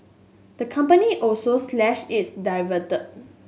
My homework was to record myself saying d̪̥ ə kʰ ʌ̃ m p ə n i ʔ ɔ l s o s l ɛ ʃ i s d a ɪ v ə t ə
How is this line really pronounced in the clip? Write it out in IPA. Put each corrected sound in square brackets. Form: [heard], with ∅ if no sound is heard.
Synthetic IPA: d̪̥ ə kʰ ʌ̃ m p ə n i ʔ ɔ l s o s l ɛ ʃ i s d a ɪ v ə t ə